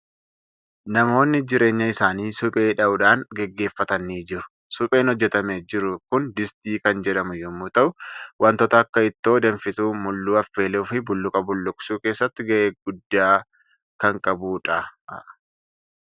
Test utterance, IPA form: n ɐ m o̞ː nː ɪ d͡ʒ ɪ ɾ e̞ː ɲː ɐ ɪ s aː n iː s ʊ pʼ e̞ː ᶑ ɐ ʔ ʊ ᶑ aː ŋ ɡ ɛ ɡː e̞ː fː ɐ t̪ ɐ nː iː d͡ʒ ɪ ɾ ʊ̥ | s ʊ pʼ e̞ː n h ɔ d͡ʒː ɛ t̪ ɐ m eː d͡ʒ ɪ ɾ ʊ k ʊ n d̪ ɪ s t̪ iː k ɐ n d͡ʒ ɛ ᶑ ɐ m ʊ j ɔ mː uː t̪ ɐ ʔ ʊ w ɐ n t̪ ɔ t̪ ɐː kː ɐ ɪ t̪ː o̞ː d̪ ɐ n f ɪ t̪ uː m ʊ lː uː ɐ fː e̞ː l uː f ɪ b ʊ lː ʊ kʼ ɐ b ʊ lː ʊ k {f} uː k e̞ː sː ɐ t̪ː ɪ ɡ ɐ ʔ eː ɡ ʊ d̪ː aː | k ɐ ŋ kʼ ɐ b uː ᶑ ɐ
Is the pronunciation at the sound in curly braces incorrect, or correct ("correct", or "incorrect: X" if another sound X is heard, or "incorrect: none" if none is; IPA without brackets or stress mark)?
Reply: incorrect: s